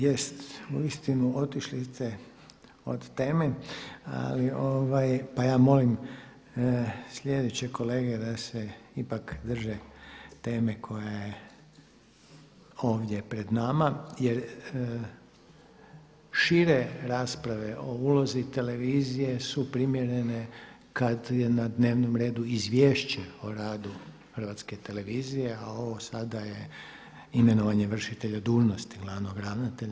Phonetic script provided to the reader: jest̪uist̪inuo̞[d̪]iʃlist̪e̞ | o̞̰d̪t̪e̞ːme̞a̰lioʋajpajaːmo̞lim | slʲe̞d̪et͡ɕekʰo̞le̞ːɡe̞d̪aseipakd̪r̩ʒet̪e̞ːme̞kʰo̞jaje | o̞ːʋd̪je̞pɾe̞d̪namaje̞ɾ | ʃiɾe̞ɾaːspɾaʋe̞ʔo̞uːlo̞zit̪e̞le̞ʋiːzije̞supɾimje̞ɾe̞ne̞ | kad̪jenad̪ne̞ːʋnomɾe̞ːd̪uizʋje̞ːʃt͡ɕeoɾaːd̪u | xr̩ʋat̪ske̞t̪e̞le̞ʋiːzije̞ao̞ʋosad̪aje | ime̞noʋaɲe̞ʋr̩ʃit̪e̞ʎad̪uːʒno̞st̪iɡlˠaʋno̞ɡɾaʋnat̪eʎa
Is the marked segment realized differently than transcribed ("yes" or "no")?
yes